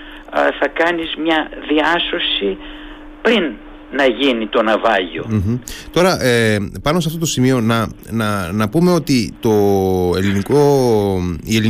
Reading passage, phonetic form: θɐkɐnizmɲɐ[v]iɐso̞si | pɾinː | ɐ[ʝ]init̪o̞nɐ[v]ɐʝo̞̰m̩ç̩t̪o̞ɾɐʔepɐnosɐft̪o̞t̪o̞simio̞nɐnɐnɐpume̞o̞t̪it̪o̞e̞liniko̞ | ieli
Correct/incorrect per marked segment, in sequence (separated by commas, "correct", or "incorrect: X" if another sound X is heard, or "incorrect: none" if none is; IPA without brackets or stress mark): incorrect: ð, correct, correct